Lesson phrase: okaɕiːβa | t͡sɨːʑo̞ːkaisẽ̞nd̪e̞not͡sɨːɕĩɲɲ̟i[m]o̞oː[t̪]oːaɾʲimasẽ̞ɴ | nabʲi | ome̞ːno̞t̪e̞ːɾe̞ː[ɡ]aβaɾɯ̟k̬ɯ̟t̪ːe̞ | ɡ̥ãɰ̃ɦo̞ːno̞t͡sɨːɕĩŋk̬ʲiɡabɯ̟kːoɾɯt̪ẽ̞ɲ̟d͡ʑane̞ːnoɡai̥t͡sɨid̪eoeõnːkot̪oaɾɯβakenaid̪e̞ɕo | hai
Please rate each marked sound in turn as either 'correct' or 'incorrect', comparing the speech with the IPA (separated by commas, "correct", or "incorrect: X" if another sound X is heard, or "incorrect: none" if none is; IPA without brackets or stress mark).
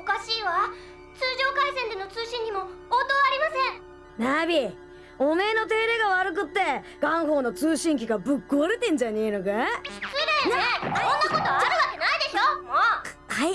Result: correct, correct, correct